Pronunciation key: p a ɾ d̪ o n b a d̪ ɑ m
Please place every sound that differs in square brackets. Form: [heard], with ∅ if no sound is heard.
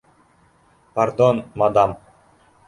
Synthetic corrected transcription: p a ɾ d̪ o n [m] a d̪ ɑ m